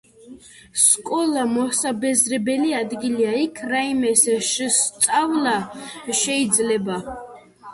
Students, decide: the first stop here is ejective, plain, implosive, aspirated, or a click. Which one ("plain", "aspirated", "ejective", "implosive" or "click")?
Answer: ejective